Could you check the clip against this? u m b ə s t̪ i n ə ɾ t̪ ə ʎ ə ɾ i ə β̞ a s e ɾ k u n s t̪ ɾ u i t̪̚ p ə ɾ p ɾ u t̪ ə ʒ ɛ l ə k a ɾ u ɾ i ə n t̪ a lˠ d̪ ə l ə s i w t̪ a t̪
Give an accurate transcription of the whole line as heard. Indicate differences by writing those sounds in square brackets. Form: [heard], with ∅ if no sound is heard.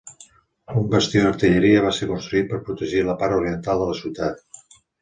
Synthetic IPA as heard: u m b ə s t̪ i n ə ɾ t̪ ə ʎ ə ɾ i ə β̞ a s e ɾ k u n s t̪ ɾ u i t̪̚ p ə ɾ p ɾ u t̪ ə ʒ [i] l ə [p] a ɾ u ɾ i ə n t̪ a lˠ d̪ ə l ə s i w t̪ a t̪